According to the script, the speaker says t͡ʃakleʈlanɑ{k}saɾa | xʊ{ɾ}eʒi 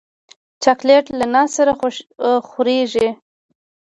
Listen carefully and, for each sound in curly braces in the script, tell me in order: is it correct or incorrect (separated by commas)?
incorrect, correct